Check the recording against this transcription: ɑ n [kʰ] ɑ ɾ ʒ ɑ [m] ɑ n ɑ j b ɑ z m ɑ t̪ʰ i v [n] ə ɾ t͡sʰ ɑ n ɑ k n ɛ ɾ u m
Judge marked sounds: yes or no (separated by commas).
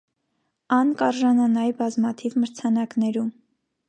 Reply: no, no, no